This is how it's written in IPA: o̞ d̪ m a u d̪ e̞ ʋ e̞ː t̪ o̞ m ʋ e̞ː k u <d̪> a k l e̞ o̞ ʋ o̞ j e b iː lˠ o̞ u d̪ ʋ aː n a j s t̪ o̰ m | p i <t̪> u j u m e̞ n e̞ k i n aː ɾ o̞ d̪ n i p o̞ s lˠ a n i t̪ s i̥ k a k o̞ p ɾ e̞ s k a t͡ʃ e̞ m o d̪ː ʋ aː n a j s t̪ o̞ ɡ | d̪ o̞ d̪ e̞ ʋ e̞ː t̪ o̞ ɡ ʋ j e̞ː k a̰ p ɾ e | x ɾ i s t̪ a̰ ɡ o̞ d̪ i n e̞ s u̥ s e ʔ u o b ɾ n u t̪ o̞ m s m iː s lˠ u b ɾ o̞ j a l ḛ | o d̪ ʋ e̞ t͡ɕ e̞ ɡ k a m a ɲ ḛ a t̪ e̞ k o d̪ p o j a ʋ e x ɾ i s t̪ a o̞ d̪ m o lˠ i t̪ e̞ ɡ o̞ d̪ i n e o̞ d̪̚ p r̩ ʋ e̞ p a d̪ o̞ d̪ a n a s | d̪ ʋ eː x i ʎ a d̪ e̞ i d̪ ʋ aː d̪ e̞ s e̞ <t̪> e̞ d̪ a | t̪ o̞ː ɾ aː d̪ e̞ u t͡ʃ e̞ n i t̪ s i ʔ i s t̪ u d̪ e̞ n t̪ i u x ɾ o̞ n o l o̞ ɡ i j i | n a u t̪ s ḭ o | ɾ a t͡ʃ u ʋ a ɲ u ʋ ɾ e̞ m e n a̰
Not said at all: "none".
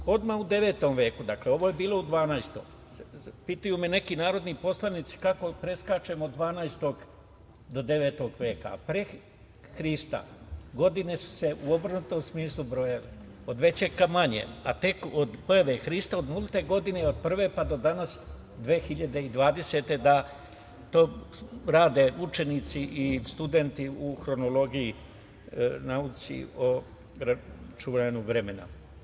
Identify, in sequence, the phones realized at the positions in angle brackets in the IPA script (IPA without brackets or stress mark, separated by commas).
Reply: d̪, t̪, t̪